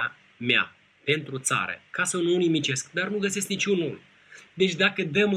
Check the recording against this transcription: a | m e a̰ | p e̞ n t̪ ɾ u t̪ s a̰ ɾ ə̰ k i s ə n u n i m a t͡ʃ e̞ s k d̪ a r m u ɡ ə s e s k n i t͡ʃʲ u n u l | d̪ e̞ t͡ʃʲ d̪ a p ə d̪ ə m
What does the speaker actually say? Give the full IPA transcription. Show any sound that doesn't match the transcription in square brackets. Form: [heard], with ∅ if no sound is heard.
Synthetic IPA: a | m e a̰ | p e̞ n t̪ ɾ u t̪ s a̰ ɾ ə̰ k [a] s ə n u n i m [i] t͡ʃ e̞ s k d̪ a r [n] u ɡ ə s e s k n i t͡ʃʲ u n u l | d̪ e̞ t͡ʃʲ d̪ a [k] ə d̪ ə m